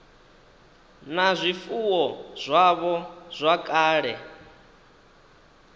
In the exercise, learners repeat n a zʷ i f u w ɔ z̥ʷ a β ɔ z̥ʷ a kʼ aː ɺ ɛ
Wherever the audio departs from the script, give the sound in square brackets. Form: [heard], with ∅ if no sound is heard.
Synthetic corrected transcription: n a zʷ i f u w ɔ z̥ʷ a β ɔ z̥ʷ a kʼ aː ɺ ɛ